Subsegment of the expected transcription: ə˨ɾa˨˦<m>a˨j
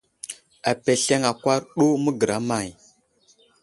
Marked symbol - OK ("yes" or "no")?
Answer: yes